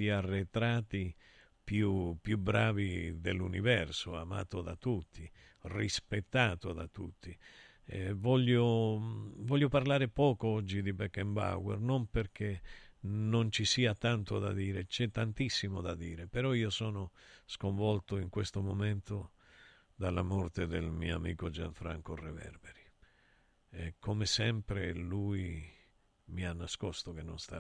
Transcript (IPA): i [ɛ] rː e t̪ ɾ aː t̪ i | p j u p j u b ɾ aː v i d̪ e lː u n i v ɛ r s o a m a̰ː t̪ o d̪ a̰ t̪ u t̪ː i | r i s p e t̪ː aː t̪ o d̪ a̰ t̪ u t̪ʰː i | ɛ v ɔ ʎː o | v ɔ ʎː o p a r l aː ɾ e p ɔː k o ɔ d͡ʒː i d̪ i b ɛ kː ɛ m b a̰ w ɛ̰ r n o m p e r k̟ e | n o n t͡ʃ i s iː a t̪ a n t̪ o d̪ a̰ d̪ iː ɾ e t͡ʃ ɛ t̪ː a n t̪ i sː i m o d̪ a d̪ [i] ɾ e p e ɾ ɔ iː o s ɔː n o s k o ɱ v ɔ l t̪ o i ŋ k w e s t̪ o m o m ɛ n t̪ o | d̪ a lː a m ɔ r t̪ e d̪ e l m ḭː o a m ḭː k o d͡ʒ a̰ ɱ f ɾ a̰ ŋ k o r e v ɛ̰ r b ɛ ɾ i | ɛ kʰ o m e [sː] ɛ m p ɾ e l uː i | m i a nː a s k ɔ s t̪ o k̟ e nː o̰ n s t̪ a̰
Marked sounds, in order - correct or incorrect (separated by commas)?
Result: incorrect, incorrect, incorrect